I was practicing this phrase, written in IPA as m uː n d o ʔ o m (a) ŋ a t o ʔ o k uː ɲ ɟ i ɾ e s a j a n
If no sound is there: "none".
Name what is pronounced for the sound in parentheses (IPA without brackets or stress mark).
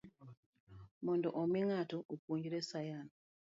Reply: i